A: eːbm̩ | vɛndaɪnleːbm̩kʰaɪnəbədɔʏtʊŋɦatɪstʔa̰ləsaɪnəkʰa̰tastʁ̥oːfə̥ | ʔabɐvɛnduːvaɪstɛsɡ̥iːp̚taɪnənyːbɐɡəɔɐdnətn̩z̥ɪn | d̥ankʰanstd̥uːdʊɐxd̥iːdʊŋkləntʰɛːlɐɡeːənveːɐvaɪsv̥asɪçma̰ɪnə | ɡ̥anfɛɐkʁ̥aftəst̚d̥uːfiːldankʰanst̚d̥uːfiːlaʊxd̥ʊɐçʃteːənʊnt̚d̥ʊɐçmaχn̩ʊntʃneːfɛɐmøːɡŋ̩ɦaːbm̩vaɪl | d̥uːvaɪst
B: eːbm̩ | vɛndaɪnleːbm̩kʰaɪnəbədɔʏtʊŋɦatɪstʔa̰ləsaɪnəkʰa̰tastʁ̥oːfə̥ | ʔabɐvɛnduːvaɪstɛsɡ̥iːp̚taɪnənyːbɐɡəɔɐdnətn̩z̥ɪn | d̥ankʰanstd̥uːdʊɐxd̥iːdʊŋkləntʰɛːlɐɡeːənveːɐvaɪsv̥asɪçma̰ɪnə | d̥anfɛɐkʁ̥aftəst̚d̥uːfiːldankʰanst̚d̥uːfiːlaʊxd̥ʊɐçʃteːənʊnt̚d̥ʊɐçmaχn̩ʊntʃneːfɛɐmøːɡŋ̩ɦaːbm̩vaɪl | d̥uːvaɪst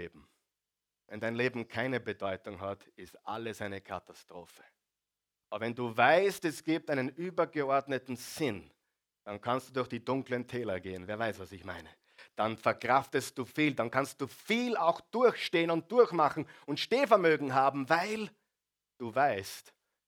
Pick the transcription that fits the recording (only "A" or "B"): B